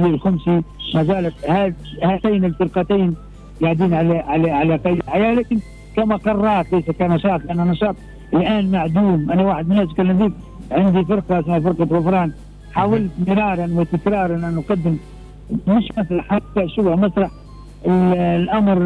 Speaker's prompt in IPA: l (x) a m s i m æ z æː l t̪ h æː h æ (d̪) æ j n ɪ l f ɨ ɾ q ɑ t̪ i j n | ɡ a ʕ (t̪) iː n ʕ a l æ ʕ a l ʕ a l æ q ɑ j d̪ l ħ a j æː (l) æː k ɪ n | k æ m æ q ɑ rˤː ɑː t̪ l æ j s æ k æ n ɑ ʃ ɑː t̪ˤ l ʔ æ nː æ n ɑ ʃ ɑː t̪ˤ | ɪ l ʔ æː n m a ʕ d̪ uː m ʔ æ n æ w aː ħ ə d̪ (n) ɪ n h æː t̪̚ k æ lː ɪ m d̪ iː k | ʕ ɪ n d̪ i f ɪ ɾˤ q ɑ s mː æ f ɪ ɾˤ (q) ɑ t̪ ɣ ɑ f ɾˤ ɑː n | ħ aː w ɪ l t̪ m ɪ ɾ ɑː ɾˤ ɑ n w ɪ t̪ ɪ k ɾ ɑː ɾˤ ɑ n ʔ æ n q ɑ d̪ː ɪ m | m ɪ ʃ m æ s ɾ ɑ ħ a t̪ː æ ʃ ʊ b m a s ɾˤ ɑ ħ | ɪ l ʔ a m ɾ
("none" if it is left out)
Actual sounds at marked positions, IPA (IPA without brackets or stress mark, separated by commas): x, t̪, d̪, l, m, q